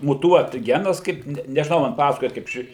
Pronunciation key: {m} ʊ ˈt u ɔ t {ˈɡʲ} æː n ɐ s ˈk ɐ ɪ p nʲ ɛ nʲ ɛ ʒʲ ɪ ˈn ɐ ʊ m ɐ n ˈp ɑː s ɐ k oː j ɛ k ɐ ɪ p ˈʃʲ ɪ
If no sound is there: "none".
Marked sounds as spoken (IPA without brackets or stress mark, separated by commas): m, ɡʲ